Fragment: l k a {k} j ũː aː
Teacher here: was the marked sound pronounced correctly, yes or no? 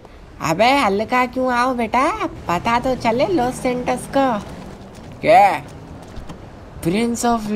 yes